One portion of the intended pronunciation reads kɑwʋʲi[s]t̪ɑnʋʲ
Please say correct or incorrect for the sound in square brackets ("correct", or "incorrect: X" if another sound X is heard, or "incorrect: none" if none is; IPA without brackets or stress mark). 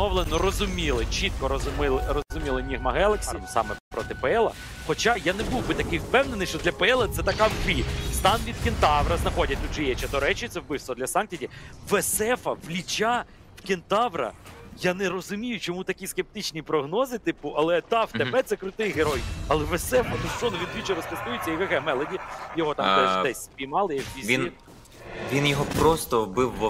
correct